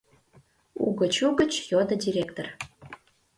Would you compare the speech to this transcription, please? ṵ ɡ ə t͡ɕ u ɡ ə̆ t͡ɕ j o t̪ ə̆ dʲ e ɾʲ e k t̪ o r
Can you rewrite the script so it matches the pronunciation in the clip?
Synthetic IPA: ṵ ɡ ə t͡ɕ u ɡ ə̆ t͡ɕ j o d̪ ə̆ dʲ i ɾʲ e k t̪ o r

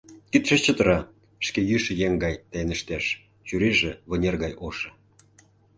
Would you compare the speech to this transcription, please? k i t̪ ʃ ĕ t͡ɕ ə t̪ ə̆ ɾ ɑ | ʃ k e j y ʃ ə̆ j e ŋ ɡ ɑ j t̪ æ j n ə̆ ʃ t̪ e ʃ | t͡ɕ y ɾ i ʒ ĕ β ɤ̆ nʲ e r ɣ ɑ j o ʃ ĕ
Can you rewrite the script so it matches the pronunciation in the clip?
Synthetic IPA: k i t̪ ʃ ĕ t͡ɕ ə t̪ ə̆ ɾ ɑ | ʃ k e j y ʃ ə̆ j e ŋ ɡ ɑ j t̪ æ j n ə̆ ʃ t̪ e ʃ | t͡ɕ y ɾ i ʒ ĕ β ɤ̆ nʲ e r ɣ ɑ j o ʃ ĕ

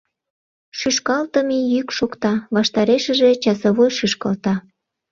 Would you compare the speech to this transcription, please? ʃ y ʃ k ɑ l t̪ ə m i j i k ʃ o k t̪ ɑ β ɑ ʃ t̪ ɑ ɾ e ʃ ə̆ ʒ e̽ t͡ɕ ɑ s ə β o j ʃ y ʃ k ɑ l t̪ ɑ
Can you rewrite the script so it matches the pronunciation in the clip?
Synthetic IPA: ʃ y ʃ k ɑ l t̪ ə m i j y k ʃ o k t̪ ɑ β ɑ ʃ t̪ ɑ ɾ e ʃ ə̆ ʒ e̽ t͡ɕ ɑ s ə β o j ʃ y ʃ k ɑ l t̪ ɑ

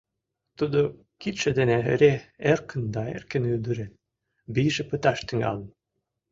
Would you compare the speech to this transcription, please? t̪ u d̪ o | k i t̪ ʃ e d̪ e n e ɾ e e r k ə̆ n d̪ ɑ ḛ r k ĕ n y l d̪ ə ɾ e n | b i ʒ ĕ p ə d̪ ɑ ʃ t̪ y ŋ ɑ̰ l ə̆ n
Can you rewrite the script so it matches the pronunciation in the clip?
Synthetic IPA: t̪ u d̪ o | k i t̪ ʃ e d̪ e n e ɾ e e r k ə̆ n d̪ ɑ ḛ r k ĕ n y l d̪ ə ɾ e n | b i ʒ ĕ p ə t̪ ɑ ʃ t̪ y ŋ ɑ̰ l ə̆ n

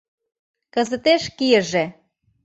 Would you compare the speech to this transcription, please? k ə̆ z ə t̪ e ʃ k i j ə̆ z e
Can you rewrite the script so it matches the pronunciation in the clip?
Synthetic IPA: k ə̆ z ə t̪ e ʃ k i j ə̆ ʒ e

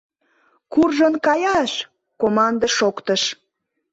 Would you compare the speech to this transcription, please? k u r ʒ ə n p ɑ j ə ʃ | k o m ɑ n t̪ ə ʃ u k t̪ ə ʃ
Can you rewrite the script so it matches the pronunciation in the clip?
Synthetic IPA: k u r ʒ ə n k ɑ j ɑ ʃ | k o m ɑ n d̪ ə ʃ o k t̪ ə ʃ

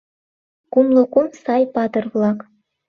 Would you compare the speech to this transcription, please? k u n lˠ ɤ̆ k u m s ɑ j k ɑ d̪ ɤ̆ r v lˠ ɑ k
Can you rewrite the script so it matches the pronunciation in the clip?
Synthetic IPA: k u m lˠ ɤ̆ k u m s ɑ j p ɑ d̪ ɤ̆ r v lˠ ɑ k

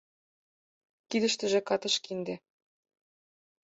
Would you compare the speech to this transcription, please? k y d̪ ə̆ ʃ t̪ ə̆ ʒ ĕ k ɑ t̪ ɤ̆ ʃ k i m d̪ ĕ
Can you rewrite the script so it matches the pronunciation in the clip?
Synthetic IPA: k i d̪ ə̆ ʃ t̪ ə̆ ʒ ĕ k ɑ t̪ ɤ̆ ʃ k i n d̪ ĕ

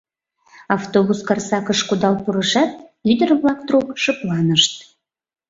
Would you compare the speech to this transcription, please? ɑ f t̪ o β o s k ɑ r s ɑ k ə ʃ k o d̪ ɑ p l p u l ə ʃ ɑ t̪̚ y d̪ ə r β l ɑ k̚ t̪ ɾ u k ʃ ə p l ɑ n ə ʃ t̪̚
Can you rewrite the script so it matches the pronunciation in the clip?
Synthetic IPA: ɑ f t̪ o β u s k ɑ r s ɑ k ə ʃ k u d̪ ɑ l p u ɾ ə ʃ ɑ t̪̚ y d̪ ə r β l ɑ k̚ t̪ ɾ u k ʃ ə p l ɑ n ə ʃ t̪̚

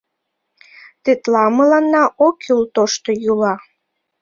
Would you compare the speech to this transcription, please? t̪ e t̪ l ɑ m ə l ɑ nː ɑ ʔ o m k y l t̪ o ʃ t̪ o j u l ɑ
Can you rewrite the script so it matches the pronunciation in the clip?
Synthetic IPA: t̪ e t̪ l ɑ m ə l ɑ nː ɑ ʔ o k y l t̪ o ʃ t̪ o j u l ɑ

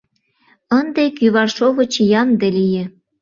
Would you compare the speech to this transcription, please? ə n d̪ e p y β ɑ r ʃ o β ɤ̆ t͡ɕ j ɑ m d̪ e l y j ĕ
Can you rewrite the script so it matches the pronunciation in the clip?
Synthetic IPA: ə n d̪ e k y β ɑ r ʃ o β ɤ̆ t͡ɕ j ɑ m d̪ e l i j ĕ

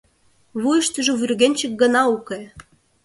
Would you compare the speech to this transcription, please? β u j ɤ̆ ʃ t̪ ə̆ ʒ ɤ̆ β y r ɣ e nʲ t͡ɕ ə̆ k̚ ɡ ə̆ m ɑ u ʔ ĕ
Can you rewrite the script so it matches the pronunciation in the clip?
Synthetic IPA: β u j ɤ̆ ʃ t̪ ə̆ ʒ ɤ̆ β y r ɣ e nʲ t͡ɕ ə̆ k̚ ɡ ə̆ n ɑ u k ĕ

